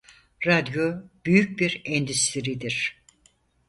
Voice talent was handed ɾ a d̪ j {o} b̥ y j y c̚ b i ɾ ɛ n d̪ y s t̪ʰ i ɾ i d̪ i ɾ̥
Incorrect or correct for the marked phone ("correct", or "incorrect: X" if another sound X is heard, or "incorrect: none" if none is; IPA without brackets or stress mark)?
correct